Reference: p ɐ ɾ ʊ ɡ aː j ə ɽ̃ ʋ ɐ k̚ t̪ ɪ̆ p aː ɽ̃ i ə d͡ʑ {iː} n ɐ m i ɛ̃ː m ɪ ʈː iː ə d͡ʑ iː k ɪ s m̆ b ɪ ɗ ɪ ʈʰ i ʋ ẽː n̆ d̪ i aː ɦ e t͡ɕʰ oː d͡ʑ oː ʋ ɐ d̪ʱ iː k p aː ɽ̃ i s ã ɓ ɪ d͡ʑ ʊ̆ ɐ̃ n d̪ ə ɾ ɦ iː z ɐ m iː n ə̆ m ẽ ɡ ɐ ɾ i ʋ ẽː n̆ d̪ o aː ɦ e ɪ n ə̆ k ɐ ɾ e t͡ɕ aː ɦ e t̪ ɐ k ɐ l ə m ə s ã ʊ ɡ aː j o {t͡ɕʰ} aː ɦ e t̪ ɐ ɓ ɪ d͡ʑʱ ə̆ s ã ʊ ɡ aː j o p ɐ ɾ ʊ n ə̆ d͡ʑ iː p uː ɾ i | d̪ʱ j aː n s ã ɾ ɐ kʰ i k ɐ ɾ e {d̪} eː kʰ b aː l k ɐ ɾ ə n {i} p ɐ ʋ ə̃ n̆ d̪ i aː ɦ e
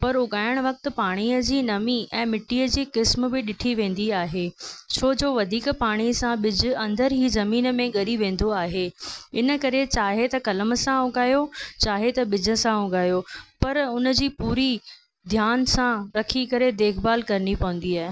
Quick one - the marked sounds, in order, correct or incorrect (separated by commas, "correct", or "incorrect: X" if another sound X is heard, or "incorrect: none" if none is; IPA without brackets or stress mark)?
correct, incorrect: t͡ɕ, correct, correct